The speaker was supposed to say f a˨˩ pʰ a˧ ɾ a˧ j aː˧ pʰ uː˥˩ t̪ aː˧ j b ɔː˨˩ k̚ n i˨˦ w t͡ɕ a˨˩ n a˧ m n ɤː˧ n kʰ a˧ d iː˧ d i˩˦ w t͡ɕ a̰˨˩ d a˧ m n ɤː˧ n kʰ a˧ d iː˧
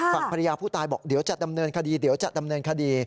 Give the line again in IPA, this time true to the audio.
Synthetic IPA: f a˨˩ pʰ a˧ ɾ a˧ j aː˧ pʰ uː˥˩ t̪ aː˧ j b ɔː˨˩ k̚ d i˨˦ w t͡ɕ a˨˩ d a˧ m n ɤː˧ n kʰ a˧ d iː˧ d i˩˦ w t͡ɕ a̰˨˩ d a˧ m n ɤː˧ n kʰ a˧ d iː˧